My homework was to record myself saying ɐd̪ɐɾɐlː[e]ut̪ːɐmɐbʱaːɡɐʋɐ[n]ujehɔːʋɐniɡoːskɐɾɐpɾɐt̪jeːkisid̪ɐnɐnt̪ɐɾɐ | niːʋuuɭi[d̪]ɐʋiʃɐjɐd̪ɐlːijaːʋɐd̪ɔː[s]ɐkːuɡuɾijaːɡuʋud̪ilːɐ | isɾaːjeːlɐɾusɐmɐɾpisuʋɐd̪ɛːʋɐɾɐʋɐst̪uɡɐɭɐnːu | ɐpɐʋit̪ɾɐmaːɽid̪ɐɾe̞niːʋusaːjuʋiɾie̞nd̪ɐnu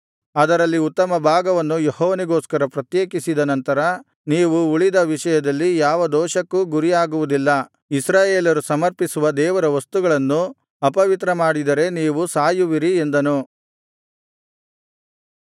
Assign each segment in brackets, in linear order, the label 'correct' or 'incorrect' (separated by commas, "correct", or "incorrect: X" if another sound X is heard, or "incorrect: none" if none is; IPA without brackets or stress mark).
incorrect: i, incorrect: nː, correct, incorrect: ʃ